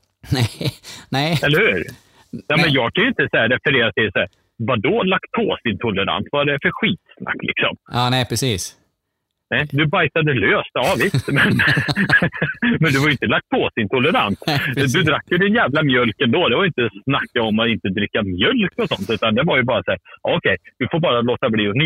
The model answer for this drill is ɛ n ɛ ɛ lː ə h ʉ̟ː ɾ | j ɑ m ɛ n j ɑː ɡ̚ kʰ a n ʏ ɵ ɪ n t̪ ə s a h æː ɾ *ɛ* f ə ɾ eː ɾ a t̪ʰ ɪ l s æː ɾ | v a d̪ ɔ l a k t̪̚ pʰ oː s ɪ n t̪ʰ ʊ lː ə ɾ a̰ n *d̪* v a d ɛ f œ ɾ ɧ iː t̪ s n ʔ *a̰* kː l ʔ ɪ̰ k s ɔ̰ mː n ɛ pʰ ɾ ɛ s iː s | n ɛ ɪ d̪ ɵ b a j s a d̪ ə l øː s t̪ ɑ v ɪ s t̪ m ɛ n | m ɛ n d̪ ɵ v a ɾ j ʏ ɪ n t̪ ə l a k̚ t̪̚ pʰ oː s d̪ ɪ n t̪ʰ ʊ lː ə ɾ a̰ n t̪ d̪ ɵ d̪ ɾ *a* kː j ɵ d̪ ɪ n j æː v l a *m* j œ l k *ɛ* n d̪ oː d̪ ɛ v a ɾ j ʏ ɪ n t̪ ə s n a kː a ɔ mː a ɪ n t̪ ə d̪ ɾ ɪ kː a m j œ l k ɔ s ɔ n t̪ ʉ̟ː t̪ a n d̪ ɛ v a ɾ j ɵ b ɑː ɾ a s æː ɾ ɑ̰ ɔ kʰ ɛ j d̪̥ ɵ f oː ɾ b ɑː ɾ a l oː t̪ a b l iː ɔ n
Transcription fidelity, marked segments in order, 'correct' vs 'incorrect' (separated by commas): correct, incorrect, correct, correct, correct, correct